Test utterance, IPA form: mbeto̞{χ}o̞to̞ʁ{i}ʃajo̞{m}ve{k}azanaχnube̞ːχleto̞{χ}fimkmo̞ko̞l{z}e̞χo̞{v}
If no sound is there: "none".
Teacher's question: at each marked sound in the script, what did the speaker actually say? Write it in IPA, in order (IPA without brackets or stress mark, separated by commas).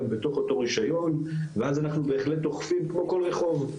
χ, i, n, none, χ, ʁ, v